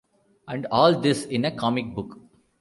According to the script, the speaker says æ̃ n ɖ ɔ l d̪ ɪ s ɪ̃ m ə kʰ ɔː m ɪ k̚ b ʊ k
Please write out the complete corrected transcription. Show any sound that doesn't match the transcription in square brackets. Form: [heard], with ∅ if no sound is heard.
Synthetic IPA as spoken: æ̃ [ɳ] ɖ [ɔː] l d̪ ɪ s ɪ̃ [n] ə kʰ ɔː m ɪ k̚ b ʊ k